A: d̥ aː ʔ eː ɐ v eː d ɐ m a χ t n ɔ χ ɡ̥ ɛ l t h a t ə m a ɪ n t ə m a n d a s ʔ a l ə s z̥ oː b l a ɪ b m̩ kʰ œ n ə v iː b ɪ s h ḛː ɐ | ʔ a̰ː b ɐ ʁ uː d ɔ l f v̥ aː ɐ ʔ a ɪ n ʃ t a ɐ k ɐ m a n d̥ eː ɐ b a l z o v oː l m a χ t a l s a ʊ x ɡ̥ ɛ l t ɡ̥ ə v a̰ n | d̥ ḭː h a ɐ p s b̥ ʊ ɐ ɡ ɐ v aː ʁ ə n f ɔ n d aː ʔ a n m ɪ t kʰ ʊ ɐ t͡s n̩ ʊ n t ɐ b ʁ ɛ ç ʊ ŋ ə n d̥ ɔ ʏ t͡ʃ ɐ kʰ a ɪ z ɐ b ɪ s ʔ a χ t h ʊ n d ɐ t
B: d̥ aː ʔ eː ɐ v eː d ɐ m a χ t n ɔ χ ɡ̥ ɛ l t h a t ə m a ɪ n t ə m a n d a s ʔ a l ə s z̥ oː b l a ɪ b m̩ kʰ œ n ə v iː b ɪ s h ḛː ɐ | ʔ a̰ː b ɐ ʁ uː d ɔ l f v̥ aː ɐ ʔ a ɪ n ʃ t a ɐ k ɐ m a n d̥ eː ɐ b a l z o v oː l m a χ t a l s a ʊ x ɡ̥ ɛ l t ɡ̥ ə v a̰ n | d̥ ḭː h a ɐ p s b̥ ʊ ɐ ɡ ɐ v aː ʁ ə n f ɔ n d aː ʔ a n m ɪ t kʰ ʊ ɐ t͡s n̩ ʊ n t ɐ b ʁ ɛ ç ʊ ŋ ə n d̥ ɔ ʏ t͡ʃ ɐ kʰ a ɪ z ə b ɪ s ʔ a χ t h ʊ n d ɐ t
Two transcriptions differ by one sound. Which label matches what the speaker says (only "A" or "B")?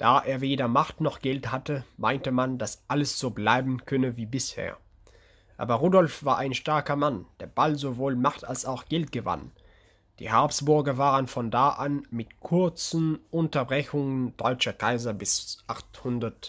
A